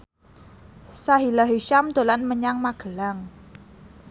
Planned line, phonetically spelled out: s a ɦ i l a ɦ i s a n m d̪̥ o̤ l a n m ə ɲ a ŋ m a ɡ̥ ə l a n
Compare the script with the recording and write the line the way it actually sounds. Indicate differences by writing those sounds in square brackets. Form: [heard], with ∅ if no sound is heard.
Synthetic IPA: s a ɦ i l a ɦ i [ʃ] a [∅] m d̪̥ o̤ l a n m ə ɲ a ŋ m a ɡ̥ ə l a [ŋ]